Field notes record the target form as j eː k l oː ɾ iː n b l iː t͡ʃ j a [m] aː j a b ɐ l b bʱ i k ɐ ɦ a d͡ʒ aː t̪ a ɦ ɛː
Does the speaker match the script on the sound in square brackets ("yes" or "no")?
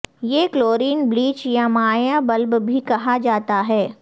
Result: yes